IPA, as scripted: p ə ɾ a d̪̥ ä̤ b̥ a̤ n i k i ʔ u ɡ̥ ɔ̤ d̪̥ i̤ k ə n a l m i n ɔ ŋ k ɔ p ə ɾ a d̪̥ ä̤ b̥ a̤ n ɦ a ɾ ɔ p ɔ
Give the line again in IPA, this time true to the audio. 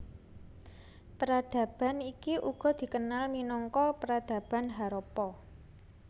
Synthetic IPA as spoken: p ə ɾ a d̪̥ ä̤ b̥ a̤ n i k i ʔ u ɡ̥ ɔ̤ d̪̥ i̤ k ə n a l m i n ɔ ŋ k ɔ p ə ɾ a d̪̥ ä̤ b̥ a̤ n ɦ a ɾ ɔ p ɔ